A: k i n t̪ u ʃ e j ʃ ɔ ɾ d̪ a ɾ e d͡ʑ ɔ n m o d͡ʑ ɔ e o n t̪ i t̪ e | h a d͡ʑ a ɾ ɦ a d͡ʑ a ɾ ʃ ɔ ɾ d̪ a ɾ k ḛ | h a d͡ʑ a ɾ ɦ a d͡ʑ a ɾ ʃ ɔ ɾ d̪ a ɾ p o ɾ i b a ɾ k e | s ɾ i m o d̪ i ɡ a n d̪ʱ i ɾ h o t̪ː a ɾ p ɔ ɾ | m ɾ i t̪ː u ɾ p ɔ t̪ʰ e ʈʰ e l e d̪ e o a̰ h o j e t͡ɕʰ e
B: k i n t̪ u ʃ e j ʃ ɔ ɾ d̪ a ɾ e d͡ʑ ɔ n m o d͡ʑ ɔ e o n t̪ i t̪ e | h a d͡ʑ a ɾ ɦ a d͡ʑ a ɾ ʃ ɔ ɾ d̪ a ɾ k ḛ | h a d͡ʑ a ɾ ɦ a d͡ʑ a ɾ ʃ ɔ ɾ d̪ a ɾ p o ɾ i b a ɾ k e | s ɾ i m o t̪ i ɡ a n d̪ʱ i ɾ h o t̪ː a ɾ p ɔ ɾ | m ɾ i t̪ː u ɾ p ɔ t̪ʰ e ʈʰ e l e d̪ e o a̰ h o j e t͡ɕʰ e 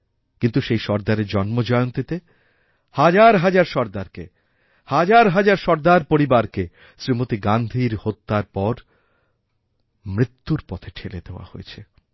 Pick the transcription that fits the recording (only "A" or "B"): B